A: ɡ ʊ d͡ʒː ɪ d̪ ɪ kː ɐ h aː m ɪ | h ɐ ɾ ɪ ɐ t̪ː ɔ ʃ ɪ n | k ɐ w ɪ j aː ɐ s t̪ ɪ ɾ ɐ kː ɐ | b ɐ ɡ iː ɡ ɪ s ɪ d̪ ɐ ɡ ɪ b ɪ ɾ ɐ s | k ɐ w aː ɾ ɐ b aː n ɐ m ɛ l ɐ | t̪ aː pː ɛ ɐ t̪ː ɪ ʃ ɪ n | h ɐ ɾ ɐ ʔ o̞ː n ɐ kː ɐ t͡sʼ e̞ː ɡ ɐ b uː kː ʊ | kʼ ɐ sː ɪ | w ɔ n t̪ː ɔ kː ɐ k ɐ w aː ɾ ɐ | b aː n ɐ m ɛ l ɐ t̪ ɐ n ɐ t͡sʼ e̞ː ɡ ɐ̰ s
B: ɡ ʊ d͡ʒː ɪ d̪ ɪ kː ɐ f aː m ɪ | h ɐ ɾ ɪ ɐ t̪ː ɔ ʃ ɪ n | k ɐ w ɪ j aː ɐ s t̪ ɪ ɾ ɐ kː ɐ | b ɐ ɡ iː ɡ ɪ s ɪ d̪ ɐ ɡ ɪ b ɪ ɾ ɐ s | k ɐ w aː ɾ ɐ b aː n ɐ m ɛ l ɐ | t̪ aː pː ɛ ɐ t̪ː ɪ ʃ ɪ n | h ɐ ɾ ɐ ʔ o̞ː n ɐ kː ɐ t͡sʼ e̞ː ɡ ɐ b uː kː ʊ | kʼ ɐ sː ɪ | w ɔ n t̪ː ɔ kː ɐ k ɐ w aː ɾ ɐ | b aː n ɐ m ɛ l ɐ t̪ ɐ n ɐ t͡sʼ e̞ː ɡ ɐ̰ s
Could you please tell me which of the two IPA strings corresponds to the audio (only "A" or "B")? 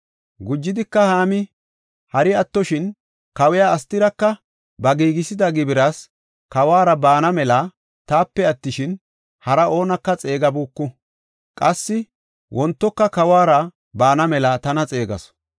A